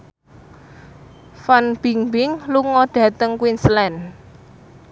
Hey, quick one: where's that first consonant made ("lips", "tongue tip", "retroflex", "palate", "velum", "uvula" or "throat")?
lips